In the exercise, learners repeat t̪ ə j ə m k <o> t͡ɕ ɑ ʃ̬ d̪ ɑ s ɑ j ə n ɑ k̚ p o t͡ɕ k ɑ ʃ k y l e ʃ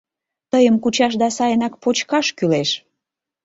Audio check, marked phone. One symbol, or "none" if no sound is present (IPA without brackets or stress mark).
u